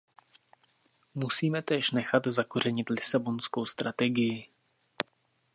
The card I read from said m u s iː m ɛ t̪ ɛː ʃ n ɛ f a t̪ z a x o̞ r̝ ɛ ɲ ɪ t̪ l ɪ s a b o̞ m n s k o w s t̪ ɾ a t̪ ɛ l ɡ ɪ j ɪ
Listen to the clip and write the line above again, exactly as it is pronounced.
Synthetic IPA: m u s iː m ɛ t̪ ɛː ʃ n ɛ x a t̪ z a k o̞ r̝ ɛ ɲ ɪ t̪ l ɪ s a b o̞ n s k o w s t̪ ɾ a t̪ ɛ ɡ ɪ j ɪ